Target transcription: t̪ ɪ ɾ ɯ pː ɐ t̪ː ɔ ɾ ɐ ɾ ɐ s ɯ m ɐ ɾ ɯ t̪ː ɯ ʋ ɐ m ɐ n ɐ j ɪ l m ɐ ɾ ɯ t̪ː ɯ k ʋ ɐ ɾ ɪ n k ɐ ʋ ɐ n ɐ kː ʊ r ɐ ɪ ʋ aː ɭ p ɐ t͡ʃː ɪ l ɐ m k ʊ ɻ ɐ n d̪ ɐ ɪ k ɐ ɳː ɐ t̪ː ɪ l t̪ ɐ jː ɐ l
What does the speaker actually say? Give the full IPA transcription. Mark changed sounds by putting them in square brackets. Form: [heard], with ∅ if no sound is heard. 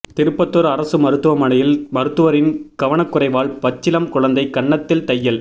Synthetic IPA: t̪ ɪ ɾ ɯ pː ɐ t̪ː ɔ ɾ ɐ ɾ ɐ s ɯ m ɐ ɾ ɯ t̪ː ɯ ʋ ɐ m ɐ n ɐ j ɪ l m ɐ ɾ ɯ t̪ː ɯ [∅] ʋ ɐ ɾ ɪ n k ɐ ʋ ɐ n ɐ kː ʊ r ɐ ɪ ʋ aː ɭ p ɐ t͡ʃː ɪ l ɐ m k ʊ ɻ ɐ n d̪ ɐ ɪ k ɐ ɳː ɐ t̪ː ɪ l t̪ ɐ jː ɐ l